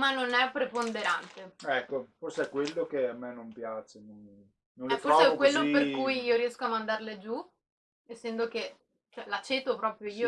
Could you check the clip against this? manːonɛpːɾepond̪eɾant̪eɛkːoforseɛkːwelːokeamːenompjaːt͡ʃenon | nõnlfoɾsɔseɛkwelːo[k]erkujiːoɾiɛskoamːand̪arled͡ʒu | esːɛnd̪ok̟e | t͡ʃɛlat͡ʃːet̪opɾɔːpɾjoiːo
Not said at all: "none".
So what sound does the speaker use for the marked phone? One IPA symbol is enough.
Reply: p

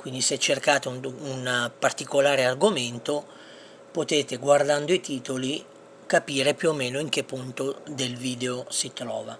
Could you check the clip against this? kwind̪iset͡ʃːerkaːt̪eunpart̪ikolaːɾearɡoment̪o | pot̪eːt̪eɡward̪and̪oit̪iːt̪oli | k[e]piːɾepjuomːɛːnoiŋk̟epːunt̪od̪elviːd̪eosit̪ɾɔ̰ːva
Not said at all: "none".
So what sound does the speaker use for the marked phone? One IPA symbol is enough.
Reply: a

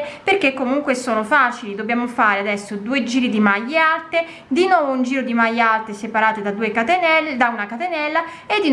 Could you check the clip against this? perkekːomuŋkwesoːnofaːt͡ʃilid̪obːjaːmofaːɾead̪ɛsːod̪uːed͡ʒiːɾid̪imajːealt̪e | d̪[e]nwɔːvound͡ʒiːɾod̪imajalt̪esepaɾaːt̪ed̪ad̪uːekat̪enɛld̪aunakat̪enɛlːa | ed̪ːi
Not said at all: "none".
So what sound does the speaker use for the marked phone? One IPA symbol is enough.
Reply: i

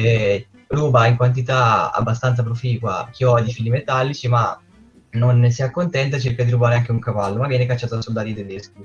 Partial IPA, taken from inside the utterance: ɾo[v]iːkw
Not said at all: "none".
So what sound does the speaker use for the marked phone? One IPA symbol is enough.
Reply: f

